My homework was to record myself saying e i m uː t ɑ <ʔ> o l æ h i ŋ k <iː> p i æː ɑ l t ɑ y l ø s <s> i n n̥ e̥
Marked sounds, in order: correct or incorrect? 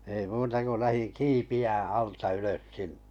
incorrect, correct, correct

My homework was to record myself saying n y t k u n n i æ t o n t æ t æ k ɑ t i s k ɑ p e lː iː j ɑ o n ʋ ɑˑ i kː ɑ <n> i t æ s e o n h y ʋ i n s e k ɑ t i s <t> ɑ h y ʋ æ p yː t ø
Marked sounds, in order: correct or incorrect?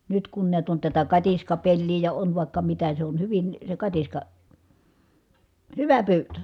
incorrect, incorrect

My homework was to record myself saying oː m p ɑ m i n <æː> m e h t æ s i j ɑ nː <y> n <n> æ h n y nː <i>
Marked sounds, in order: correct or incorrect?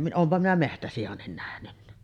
incorrect, incorrect, correct, incorrect

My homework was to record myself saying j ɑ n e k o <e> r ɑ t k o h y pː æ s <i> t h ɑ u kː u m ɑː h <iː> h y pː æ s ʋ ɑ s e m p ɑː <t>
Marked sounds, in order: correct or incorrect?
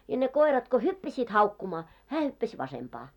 incorrect, incorrect, incorrect, incorrect

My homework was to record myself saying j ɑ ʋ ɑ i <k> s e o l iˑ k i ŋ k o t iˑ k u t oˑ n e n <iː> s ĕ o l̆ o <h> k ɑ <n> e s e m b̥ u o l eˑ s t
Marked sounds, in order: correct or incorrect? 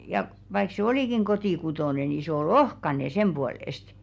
correct, incorrect, correct, correct

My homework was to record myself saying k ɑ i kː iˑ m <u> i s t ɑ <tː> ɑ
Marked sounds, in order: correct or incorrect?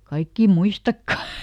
correct, incorrect

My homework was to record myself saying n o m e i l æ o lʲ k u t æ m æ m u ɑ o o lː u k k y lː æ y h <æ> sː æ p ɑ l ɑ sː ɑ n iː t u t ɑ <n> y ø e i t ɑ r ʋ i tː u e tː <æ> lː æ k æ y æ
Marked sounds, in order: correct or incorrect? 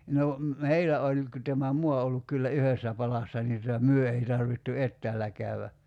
incorrect, incorrect, incorrect

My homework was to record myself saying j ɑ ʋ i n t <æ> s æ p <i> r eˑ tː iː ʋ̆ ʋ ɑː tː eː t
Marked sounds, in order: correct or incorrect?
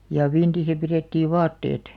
incorrect, correct

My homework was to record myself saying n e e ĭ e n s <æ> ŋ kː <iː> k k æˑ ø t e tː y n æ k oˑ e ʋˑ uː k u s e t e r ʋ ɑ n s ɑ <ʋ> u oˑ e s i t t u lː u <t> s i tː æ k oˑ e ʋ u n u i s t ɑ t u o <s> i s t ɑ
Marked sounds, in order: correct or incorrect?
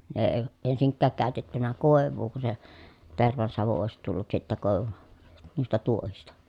incorrect, incorrect, correct, correct, incorrect

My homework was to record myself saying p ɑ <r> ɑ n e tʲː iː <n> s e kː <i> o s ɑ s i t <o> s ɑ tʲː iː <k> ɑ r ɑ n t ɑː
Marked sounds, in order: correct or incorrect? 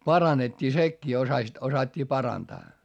correct, incorrect, incorrect, correct, incorrect

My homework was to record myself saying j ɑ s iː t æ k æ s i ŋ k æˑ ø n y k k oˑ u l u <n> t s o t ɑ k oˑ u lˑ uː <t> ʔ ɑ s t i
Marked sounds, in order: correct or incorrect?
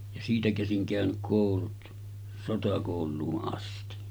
incorrect, incorrect

